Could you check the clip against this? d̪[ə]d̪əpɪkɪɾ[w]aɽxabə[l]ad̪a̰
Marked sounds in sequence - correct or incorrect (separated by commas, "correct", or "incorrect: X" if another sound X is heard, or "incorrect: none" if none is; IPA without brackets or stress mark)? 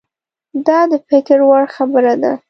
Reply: incorrect: ɑ, correct, incorrect: ɾ